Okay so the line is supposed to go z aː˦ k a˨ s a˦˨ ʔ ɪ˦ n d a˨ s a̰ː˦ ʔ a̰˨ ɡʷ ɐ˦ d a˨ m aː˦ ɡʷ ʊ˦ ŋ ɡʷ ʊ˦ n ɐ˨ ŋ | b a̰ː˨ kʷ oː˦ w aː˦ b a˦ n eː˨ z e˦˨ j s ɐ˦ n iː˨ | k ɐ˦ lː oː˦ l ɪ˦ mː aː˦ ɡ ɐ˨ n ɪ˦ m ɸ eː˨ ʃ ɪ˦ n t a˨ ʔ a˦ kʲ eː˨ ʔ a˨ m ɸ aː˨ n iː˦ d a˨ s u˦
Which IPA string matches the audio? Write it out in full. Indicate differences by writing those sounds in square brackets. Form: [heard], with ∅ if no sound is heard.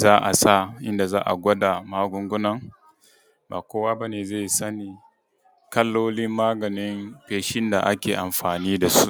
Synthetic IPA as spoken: z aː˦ [ʔ] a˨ s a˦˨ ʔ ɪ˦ n d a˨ [z] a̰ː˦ ʔ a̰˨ ɡʷ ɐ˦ d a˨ m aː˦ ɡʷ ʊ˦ ŋ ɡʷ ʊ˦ n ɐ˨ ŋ | b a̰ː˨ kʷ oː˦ w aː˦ b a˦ n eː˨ z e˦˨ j s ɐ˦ n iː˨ | k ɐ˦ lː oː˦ l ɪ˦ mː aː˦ ɡ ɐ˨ n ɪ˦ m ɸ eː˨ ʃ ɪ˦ n [d] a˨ ʔ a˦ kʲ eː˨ ʔ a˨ m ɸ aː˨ n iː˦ d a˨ s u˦